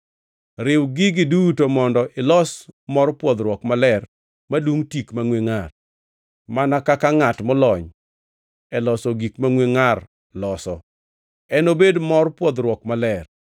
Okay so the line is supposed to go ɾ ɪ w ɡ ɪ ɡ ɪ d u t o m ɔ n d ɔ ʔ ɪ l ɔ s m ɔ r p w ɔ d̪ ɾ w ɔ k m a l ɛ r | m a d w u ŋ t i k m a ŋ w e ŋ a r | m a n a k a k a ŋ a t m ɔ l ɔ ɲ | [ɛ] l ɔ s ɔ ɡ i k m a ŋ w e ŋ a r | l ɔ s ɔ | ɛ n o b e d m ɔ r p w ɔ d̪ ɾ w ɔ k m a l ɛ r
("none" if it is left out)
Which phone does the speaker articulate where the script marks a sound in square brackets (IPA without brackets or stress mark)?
ɛ